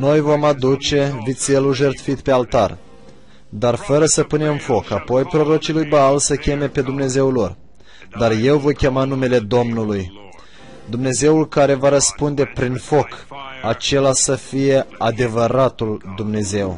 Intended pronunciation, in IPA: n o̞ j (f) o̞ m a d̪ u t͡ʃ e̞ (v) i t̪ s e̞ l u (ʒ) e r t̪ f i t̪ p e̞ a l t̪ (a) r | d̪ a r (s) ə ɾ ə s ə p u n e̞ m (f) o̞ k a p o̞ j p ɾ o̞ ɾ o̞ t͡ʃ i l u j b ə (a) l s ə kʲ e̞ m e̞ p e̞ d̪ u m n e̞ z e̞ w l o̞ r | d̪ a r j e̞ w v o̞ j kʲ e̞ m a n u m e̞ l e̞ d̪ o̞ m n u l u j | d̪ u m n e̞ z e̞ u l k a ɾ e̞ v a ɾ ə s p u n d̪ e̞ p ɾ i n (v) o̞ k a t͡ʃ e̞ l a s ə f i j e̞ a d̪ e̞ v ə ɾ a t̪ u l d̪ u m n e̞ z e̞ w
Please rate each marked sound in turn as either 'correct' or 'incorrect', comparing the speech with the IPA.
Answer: incorrect, correct, correct, correct, incorrect, correct, correct, incorrect

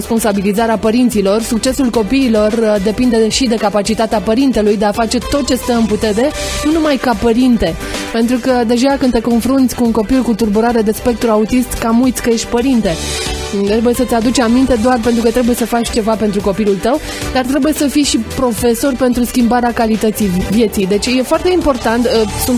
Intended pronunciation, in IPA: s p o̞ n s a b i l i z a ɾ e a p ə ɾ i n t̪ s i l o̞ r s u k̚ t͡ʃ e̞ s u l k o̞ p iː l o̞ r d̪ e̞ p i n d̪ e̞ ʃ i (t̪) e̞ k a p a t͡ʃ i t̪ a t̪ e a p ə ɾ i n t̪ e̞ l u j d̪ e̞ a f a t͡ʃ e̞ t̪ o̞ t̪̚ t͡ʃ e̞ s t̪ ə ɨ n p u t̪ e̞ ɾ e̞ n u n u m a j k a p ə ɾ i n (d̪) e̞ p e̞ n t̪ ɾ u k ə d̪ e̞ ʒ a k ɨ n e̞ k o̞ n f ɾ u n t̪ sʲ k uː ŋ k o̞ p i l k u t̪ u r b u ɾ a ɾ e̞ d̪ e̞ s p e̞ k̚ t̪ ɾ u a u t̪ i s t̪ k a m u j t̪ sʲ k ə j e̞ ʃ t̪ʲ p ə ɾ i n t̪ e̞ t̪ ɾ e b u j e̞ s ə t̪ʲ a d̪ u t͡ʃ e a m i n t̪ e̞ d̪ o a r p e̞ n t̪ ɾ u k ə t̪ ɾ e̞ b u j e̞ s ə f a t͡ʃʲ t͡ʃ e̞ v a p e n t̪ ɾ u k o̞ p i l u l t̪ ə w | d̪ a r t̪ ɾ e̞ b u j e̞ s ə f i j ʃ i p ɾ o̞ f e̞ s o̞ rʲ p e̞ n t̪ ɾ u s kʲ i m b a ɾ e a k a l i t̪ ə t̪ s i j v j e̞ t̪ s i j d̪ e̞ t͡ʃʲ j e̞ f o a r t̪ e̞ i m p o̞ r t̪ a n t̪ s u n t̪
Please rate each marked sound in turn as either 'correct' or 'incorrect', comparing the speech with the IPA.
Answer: incorrect, incorrect

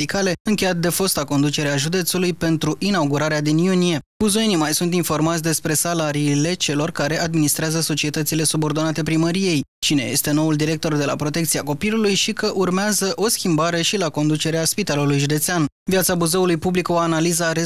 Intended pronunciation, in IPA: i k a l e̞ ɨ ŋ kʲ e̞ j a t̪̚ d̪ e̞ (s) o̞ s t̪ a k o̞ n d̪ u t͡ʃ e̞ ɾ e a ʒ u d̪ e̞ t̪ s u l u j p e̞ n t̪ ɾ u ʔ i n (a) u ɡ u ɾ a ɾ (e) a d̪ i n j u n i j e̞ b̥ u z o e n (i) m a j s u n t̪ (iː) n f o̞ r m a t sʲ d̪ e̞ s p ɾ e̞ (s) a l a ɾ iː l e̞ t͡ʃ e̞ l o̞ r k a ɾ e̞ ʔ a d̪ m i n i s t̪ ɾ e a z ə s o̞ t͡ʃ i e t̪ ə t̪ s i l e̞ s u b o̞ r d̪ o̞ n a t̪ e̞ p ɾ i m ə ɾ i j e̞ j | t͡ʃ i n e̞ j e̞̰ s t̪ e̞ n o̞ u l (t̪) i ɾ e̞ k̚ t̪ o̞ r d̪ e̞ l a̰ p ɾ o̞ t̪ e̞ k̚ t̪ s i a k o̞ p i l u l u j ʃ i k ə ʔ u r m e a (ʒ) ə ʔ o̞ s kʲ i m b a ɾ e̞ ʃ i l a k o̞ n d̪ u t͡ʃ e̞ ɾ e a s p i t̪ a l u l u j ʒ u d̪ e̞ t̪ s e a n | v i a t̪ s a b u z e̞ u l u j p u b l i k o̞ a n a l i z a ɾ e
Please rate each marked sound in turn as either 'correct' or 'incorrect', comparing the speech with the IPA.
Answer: incorrect, correct, correct, correct, incorrect, correct, incorrect, incorrect

